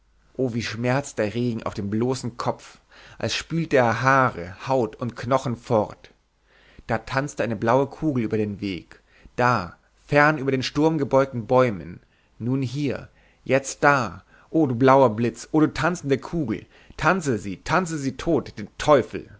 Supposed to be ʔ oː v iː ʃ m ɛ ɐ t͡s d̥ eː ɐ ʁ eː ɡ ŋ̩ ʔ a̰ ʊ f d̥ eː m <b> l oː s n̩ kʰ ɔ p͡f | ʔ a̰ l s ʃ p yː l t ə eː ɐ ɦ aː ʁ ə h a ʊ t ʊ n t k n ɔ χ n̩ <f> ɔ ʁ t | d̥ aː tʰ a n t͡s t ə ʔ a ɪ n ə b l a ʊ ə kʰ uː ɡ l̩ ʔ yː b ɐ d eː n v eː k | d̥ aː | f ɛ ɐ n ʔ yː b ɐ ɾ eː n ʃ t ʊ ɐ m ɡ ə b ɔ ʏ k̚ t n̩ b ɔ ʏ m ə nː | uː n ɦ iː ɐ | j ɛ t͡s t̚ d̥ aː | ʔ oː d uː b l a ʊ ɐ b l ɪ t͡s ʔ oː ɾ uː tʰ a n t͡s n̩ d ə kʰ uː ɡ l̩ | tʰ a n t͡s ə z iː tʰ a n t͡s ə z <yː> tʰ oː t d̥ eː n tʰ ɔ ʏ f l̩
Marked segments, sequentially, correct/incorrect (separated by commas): correct, correct, incorrect